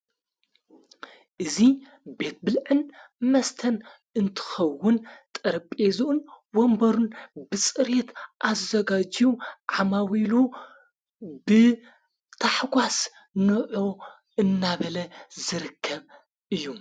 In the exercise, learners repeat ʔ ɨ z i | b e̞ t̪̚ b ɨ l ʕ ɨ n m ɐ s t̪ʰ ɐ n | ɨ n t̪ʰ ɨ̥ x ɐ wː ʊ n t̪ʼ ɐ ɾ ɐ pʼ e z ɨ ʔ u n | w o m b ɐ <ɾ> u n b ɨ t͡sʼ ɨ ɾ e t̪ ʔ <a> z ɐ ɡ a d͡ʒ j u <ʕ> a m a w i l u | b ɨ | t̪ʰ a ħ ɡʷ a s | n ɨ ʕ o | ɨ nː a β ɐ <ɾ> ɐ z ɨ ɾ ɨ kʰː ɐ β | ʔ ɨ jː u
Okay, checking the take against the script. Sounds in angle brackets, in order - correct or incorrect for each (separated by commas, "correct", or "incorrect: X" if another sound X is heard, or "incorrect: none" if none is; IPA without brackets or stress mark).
correct, correct, correct, incorrect: l